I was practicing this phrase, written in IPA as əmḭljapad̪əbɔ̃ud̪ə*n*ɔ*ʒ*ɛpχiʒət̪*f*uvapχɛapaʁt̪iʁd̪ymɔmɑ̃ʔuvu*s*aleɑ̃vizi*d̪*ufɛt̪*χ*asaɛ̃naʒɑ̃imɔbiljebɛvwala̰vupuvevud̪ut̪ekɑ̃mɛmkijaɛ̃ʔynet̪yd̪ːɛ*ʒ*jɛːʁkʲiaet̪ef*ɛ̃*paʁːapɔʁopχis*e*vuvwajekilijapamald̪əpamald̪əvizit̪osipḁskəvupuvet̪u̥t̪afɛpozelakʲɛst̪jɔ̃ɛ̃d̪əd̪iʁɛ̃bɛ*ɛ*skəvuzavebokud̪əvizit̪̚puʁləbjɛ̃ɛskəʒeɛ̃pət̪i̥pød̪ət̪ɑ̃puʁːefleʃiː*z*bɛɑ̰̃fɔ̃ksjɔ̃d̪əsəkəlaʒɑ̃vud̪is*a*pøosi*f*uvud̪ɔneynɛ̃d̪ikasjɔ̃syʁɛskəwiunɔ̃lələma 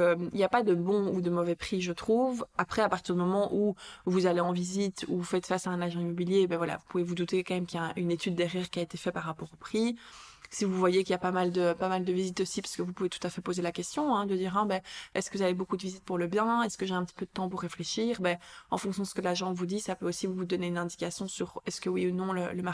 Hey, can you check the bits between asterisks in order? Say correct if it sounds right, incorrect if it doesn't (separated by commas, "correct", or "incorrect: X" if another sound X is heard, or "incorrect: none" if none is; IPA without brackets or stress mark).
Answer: incorrect: m, incorrect: v, incorrect: χ, incorrect: z, incorrect: t̪, incorrect: f, incorrect: ʁ, incorrect: ɛ, incorrect: i, correct, incorrect: ʁ, correct, incorrect: v